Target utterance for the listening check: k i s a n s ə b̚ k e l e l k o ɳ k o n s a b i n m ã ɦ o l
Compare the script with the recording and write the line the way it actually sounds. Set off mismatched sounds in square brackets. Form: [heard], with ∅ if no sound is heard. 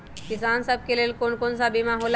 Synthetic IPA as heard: k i s a n s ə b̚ k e l e l k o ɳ k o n s a b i [∅] m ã ɦ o l